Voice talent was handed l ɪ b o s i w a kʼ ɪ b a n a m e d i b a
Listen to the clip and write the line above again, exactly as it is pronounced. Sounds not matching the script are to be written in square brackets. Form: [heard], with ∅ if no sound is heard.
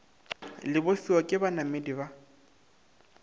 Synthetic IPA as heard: l ɪ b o s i w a kʼ ɪ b a n a m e d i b a